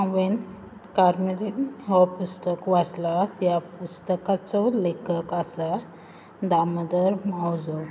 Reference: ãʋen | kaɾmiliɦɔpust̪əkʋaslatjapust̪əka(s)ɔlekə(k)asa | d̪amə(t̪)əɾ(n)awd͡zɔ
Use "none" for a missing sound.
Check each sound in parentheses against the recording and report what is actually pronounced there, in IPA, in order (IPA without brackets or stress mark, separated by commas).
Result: t͡s, k, d̪, m